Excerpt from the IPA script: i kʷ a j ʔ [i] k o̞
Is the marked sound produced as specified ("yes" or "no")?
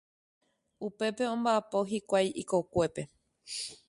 yes